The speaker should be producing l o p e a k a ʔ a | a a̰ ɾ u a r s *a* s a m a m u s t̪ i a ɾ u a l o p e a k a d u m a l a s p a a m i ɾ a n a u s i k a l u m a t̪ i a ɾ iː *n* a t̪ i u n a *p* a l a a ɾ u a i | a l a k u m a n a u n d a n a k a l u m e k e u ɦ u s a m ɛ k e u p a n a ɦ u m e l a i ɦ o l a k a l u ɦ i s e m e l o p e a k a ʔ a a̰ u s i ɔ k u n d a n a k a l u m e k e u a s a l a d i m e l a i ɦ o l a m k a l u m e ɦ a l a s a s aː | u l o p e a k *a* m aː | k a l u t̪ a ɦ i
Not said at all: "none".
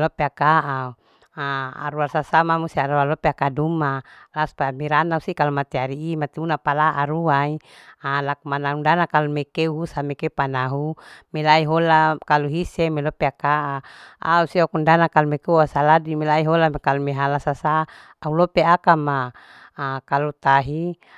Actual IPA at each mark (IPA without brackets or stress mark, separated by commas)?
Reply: a, m, p, a